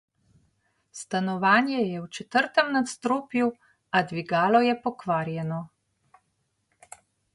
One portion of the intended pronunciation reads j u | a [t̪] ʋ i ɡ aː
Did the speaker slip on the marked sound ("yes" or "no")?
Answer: yes